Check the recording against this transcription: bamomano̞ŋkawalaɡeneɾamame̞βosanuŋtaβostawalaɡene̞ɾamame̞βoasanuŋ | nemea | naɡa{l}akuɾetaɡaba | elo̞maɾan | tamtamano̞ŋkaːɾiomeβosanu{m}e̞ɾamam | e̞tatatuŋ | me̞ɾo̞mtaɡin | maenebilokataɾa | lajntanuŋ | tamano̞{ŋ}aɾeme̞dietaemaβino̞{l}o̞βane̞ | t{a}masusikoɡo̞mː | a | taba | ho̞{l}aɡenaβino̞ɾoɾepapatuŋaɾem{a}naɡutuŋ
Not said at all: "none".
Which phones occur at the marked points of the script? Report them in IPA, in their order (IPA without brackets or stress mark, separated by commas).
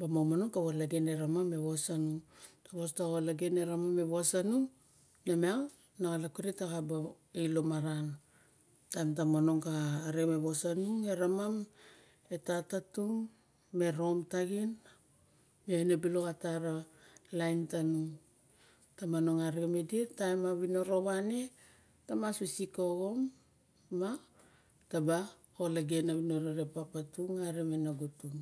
l, ŋ, ŋ, ɾ, a, l, e